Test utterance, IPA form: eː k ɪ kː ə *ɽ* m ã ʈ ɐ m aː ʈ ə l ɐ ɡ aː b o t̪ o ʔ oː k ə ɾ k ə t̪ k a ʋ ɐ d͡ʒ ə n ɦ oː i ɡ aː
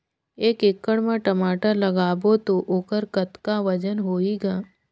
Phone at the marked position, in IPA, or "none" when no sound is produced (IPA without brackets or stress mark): ɽ